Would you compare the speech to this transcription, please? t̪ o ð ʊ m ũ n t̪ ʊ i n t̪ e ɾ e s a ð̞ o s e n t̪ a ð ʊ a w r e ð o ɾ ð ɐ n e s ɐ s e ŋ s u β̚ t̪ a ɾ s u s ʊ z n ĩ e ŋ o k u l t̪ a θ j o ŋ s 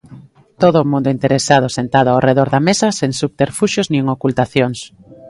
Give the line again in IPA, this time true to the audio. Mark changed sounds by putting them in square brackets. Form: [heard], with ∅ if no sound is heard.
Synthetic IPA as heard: t̪ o ð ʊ m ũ n [d̪] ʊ i n t̪ e ɾ e s a ð̞ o s e n t̪ a ð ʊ a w r e ð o ɾ ð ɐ [m] e s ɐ s e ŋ s u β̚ t̪ [e] ɾ [f] u [ʃ] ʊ z n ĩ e ŋ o k u l t̪ a θ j o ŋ s